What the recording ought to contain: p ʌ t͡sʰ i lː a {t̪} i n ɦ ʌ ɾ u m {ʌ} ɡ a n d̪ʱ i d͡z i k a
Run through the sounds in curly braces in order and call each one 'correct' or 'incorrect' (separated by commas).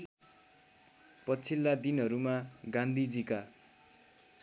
incorrect, incorrect